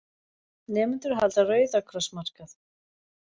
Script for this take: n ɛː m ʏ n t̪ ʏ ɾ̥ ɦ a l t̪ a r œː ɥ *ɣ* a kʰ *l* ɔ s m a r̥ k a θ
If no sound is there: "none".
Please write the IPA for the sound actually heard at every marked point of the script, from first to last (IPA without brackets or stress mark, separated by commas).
ð, ɾ